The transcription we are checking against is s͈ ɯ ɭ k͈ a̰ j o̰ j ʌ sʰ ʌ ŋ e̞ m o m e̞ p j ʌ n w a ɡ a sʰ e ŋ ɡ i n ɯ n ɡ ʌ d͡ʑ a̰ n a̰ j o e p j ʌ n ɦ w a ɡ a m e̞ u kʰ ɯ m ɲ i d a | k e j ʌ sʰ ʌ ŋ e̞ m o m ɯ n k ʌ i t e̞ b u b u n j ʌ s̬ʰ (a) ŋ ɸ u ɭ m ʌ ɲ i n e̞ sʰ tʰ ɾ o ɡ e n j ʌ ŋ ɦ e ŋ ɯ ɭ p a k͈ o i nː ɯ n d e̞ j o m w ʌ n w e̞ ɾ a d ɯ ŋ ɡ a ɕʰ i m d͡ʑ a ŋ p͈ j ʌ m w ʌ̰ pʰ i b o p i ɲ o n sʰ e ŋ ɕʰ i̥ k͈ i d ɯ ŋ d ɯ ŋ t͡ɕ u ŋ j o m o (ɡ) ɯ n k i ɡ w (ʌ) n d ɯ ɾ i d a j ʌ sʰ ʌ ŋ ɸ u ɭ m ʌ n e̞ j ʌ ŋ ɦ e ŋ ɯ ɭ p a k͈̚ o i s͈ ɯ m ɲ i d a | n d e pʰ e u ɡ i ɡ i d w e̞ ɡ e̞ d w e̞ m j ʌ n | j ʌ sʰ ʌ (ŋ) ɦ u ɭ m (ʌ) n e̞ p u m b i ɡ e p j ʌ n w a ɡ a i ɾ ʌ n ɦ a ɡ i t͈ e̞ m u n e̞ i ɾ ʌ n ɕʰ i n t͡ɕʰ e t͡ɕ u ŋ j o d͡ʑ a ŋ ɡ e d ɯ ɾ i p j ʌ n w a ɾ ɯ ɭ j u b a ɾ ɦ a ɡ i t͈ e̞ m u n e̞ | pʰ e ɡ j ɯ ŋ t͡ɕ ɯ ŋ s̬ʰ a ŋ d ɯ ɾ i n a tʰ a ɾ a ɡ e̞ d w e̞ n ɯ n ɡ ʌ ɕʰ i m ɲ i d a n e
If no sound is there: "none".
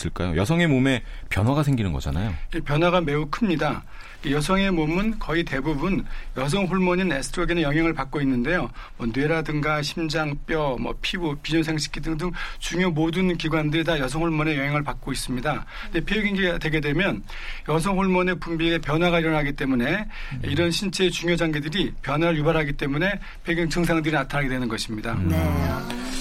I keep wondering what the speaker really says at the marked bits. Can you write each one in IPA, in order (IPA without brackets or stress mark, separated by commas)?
ʌ, d, a, ŋ, ʌ